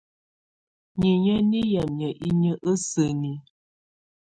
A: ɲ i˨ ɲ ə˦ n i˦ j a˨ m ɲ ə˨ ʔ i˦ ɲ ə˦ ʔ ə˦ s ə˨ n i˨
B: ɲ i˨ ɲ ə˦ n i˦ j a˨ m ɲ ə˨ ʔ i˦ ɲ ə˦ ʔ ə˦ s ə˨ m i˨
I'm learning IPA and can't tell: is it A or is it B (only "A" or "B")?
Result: A